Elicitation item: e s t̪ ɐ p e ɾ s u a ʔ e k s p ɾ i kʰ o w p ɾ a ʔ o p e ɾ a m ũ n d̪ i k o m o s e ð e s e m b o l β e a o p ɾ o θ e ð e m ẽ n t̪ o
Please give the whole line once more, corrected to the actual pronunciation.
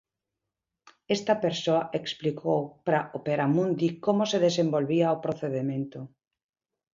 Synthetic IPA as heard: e s t̪ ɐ p e ɾ s o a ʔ e k s p l i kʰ o w p ɾ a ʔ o p e ɾ a m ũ n d̪ i k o m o s e ð e s e m b o l β i a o p ɾ o θ e ð e m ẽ n t̪ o